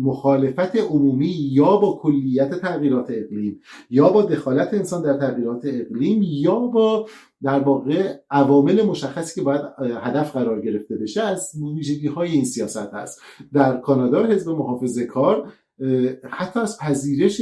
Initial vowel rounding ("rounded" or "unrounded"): rounded